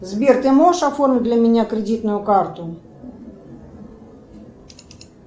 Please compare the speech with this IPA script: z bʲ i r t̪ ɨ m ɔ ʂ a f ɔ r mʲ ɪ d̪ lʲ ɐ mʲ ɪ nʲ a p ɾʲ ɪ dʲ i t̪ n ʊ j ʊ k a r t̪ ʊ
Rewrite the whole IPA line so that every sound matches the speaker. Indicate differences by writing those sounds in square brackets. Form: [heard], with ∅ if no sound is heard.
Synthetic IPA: z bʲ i r t̪ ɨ m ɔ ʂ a f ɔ r mʲ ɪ d̪ lʲ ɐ mʲ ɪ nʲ a [k] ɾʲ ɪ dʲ i t̪ n ʊ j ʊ k a r t̪ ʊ